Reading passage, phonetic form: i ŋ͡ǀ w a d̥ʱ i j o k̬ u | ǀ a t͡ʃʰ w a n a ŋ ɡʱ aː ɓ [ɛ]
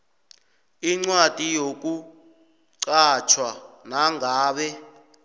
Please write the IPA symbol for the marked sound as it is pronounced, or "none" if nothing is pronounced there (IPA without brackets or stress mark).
ɛ